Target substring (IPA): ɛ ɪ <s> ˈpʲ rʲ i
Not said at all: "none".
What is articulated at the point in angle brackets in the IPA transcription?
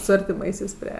s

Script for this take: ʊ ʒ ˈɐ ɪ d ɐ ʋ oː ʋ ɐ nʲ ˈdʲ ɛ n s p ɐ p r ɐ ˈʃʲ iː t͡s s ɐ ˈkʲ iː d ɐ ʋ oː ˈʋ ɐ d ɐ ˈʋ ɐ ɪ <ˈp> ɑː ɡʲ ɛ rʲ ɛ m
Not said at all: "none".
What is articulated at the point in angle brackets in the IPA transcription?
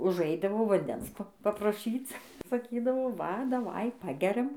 p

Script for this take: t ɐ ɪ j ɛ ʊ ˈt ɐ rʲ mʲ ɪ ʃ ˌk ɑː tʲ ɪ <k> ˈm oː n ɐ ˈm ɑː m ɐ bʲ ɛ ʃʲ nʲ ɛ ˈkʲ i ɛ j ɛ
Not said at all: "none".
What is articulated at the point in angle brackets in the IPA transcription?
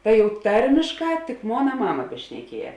k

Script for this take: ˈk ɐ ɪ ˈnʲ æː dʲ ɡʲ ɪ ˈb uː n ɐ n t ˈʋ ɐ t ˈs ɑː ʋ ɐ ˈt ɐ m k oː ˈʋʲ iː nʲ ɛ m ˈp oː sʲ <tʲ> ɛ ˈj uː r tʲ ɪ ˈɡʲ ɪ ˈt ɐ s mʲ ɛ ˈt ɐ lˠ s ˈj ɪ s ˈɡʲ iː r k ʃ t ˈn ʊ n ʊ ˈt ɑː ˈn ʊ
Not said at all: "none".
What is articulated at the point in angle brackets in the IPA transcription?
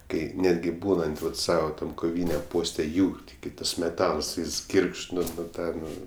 tʲ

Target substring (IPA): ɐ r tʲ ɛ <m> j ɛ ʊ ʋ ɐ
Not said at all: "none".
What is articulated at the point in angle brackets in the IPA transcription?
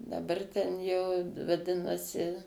n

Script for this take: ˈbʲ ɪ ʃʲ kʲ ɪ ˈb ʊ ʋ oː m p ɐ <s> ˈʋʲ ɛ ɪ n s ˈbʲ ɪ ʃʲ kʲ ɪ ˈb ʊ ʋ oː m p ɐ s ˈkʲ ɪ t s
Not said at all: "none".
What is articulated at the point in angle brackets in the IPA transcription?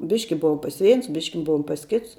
s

